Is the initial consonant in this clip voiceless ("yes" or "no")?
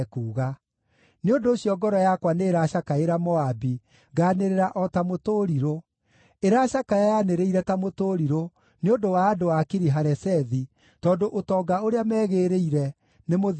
yes